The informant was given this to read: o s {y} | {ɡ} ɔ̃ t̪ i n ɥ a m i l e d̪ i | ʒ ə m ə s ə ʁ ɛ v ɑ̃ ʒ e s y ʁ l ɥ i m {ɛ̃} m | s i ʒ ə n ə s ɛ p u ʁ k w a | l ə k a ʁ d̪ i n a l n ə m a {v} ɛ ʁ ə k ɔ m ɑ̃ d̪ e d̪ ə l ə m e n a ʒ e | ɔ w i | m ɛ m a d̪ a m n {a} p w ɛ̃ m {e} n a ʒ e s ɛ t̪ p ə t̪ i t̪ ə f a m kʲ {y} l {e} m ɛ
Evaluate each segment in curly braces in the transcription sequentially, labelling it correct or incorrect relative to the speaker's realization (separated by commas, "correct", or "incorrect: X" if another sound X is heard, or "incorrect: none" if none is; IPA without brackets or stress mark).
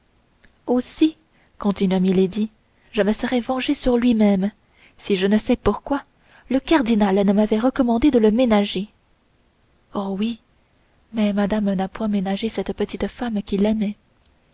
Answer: incorrect: i, incorrect: k, incorrect: ɛ, correct, correct, correct, incorrect: i, incorrect: ɛ